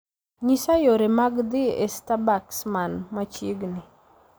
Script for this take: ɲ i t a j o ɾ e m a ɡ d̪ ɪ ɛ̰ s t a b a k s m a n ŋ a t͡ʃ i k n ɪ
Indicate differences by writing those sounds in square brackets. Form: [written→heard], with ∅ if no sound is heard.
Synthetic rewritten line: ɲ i [t→s] a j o ɾ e m a ɡ d̪ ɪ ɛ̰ s t a b a k s m a n [ŋ→m] a t͡ʃ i [k→ɡ] n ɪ

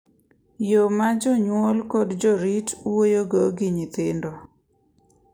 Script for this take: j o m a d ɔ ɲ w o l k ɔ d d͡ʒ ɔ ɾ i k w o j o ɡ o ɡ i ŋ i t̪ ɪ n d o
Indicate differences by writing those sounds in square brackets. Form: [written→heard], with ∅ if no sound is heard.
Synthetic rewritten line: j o m a [d→d͡ʒ] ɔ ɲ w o l k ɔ d d͡ʒ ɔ ɾ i [k→t] w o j o ɡ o ɡ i [ŋ→ɲ] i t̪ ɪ n d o

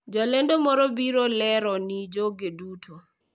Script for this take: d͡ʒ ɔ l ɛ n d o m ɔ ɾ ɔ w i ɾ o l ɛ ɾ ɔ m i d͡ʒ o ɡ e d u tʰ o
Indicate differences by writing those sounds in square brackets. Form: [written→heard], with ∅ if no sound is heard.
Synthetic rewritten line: d͡ʒ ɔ l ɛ n d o m ɔ ɾ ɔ [w→b] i ɾ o l ɛ ɾ ɔ [m→n] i d͡ʒ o ɡ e d u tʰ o

